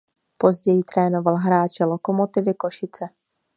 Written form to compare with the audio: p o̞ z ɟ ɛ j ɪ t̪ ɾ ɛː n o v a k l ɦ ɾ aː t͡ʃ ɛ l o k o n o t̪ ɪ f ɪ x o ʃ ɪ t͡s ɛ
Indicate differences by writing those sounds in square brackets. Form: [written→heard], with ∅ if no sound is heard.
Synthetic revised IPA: p o̞ z ɟ ɛ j ɪ t̪ ɾ ɛː n o v a [k→∅] l ɦ ɾ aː t͡ʃ ɛ l o k o [n→m] o t̪ ɪ [f→v] ɪ [x→k] o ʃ ɪ t͡s ɛ